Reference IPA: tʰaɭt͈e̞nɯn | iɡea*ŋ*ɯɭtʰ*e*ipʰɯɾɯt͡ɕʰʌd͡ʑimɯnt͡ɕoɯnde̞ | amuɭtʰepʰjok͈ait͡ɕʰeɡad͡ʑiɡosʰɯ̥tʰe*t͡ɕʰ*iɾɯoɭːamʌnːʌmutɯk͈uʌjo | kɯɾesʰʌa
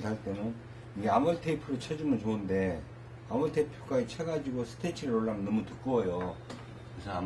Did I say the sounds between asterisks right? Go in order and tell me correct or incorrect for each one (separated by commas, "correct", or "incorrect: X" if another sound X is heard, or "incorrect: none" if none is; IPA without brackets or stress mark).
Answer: incorrect: m, correct, correct